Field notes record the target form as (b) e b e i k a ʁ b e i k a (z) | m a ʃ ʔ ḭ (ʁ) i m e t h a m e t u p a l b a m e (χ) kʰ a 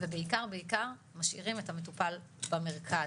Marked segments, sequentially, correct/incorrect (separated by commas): incorrect, incorrect, correct, incorrect